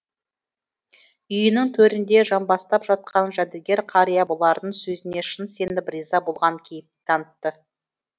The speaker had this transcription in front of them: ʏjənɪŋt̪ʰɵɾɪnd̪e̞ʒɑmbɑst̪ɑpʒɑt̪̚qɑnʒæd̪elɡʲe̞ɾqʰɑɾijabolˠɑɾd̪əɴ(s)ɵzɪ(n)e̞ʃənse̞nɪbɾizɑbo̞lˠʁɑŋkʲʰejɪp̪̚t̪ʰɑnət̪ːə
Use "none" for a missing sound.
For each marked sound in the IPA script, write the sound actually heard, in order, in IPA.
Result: s, n

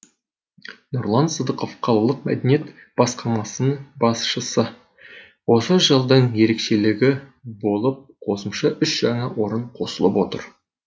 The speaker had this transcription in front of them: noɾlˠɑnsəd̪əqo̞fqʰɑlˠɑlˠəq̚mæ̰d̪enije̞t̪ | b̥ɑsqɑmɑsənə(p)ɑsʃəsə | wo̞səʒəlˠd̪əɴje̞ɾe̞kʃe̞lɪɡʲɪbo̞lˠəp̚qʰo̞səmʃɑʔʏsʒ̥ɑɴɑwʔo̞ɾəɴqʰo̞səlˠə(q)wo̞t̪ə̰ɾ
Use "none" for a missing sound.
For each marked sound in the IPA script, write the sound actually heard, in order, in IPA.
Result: b, p

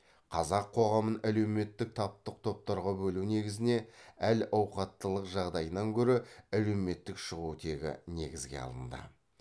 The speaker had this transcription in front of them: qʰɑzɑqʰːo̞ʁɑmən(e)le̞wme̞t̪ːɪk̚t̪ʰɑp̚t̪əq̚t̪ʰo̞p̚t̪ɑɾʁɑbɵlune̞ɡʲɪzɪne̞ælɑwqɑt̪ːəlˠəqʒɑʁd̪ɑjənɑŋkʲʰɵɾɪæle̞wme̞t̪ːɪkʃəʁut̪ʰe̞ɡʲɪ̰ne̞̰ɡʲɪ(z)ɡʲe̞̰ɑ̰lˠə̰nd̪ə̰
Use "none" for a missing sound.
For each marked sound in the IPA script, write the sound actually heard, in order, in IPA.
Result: æ, z

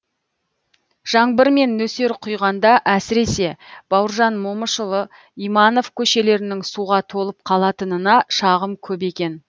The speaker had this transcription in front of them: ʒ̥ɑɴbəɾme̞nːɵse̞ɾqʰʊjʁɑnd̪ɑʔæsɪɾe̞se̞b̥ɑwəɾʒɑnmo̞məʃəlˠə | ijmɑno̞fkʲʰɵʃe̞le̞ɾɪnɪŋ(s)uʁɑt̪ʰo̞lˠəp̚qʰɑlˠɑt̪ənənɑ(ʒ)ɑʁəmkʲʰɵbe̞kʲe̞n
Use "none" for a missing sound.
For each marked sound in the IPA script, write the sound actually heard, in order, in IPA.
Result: s, ʃ

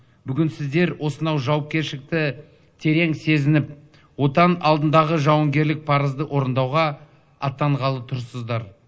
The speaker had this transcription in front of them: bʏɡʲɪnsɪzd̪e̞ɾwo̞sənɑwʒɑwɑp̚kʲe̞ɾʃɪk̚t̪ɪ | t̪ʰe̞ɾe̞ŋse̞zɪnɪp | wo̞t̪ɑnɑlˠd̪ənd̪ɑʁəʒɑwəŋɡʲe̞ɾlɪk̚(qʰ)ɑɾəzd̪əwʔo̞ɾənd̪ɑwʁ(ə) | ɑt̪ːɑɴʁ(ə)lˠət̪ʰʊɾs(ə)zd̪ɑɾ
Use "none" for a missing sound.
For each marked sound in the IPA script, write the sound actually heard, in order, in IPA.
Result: pʰ, ɑ, ɑ, ə

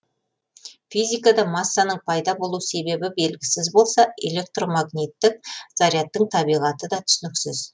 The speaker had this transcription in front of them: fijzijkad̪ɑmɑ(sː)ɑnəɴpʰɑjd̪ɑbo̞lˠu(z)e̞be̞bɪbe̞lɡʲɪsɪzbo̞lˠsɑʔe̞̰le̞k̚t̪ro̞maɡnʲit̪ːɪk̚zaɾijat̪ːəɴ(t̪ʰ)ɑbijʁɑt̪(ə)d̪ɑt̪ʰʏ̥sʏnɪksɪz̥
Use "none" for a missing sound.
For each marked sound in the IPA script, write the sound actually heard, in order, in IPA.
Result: sː, s, t̪ʰ, ə

